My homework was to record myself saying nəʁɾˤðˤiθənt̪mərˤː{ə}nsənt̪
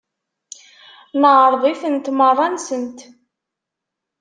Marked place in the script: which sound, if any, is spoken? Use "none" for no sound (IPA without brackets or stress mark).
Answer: ɑ